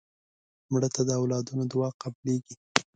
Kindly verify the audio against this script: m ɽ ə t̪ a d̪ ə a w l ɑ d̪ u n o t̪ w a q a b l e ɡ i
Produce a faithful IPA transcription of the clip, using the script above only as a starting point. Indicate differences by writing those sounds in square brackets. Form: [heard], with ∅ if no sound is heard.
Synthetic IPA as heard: m ɽ ə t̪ a d̪ ə a w l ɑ d̪ u n o [d̪] w [ɑ] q a b l e ɡ i